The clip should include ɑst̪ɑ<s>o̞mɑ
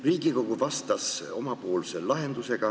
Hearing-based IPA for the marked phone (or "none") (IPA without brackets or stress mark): s